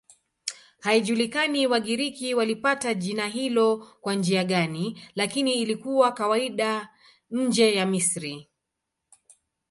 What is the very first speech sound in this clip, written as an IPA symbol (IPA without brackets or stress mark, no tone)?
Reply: h